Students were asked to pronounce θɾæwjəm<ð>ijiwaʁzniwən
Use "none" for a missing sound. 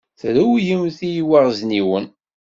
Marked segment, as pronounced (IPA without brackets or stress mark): θ